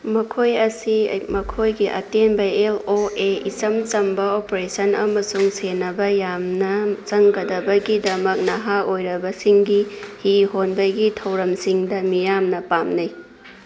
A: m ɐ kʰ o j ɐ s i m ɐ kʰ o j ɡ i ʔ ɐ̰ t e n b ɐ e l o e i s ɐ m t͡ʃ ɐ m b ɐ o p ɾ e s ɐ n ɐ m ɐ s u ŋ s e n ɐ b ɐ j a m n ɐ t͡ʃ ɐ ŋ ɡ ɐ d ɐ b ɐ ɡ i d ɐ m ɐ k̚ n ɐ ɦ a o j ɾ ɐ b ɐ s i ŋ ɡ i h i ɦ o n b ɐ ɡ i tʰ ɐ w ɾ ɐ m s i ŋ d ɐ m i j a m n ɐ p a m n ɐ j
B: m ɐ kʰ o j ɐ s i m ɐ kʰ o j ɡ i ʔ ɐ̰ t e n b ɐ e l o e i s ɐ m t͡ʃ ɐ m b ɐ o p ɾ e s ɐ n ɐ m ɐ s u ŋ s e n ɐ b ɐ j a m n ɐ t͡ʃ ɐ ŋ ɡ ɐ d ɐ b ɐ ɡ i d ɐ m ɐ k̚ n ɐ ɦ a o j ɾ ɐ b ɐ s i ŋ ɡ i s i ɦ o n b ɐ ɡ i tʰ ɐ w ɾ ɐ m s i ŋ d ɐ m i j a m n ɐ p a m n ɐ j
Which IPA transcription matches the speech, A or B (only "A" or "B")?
A